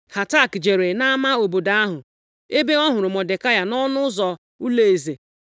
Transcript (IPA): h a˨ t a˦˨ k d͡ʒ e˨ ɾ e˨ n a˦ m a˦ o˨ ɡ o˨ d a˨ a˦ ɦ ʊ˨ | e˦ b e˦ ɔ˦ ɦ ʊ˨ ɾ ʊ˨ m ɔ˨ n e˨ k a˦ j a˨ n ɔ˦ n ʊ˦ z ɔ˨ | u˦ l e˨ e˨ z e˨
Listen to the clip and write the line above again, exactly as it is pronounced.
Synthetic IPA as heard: h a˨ t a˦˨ k d͡ʒ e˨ ɾ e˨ n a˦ m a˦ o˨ b o˨ d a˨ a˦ ɦ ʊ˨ | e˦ b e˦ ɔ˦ ɦ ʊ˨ ɾ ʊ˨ m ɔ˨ d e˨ k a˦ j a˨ n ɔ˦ n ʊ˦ z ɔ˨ | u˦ l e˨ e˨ z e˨